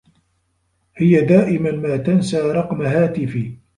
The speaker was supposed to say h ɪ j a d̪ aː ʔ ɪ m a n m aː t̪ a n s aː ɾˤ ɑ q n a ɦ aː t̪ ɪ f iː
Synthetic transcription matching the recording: h ɪ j a d̪ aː ʔ ɪ m a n m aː t̪ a n s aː ɾˤ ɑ q m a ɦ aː t̪ ɪ f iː